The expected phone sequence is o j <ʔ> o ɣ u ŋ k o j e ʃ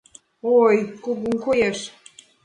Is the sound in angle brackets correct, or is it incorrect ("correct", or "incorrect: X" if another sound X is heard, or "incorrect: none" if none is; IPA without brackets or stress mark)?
incorrect: k